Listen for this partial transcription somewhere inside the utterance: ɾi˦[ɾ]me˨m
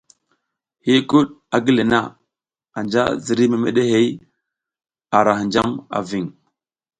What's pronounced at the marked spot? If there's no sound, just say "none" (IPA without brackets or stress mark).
none